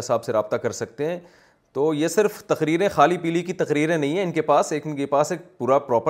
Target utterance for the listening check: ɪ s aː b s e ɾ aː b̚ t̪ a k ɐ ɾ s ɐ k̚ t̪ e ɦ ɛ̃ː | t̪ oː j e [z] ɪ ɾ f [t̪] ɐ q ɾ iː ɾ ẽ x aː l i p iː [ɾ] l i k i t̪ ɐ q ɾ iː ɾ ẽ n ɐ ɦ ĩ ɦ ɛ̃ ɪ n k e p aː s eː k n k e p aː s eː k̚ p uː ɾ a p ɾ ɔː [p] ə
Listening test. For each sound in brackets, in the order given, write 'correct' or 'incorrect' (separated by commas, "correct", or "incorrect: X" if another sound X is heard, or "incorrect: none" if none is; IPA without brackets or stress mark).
incorrect: s, correct, incorrect: none, correct